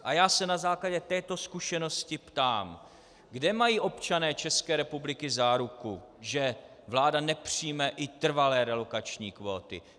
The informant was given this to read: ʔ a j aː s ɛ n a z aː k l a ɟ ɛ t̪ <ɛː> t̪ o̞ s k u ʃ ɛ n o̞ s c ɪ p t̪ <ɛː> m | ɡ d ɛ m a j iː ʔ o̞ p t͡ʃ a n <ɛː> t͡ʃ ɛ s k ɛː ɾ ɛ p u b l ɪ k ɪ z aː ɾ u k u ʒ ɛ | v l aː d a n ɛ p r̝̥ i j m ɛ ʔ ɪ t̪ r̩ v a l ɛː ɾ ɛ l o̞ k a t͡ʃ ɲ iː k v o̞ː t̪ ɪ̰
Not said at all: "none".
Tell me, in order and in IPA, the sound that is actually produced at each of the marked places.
ɛː, aː, ɛː

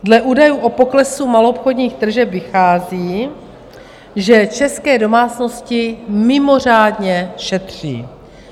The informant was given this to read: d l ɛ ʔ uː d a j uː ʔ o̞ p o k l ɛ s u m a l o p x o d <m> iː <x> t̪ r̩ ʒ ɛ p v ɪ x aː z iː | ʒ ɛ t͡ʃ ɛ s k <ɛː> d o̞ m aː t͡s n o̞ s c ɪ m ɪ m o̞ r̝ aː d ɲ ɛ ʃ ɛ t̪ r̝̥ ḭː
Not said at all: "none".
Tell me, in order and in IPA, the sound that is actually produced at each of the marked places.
ɲ, x, ɛː

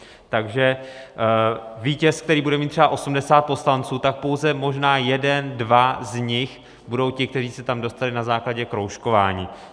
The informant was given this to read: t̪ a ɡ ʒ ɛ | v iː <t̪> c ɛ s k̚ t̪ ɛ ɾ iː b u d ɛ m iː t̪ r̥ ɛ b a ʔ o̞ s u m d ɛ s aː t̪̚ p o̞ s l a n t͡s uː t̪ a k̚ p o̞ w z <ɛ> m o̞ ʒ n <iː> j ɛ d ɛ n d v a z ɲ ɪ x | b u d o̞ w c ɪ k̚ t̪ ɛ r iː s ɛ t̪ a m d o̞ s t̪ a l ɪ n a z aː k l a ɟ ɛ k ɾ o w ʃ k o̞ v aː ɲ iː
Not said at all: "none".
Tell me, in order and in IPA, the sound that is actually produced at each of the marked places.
none, ɛ, aː

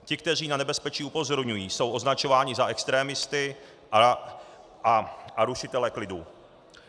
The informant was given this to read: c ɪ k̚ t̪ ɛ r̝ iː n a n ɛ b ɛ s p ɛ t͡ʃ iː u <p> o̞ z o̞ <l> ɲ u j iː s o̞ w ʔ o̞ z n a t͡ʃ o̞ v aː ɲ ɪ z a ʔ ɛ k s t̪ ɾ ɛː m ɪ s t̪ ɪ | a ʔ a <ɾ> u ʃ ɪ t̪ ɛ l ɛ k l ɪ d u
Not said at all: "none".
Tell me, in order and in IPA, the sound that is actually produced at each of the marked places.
p, ɾ, ɾ

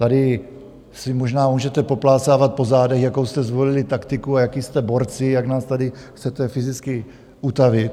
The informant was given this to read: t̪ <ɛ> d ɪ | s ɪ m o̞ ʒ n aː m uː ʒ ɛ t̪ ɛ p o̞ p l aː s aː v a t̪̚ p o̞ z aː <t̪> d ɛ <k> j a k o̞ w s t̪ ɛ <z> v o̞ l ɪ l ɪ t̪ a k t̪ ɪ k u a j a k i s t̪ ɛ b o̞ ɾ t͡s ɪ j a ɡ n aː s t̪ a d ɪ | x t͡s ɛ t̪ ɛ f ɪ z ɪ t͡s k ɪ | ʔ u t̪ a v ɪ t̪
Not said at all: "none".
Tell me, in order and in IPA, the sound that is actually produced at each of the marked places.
a, none, x, z

